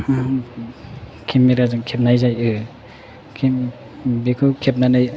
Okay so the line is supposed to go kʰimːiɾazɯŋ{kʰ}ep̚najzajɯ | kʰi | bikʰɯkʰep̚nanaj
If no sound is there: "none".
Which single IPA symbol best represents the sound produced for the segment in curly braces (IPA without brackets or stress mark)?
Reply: kʰ